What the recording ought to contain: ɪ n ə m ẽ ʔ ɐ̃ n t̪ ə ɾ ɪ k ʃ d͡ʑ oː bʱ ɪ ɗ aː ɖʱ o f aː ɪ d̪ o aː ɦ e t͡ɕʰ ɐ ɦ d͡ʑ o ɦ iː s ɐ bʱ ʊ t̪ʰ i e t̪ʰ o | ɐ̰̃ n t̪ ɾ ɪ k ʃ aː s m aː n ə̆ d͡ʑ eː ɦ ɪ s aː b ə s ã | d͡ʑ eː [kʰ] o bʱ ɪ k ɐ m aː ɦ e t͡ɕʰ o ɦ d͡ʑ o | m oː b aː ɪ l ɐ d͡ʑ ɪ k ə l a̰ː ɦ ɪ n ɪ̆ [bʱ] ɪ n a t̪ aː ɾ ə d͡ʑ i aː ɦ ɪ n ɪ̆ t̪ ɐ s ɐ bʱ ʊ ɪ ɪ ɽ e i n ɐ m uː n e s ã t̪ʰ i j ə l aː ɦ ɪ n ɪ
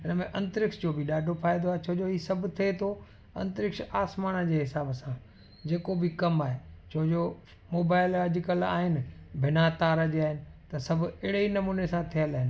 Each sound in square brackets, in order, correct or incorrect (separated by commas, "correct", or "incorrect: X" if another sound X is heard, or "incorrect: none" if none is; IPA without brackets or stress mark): incorrect: k, correct